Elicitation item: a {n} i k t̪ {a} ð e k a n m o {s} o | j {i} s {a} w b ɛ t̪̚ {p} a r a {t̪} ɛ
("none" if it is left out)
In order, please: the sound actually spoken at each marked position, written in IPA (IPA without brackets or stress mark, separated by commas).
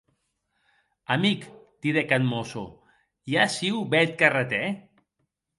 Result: m, i, s, a, i, k, t̪